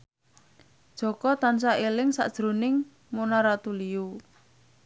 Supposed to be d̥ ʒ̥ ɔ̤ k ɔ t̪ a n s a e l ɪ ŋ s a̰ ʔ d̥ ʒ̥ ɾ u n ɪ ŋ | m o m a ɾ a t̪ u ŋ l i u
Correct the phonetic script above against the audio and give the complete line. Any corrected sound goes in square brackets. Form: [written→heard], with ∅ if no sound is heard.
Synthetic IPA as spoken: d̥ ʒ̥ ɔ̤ k ɔ t̪ a n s a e l ɪ ŋ s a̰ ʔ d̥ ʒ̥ ɾ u n ɪ ŋ | m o [m→n] a ɾ a t̪ u [ŋ→∅] l i u